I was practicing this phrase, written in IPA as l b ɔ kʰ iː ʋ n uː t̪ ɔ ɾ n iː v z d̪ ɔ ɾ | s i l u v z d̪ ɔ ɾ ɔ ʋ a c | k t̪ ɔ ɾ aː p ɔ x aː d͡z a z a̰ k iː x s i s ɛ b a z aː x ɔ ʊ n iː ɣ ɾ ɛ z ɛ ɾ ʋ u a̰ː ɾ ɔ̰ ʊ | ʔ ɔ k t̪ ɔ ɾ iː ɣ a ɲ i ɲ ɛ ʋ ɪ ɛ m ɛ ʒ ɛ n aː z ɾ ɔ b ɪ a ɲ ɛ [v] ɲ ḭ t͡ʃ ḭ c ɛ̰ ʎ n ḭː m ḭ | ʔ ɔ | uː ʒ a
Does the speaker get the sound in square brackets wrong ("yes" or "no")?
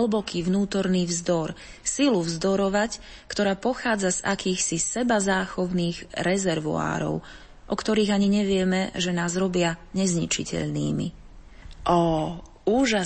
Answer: yes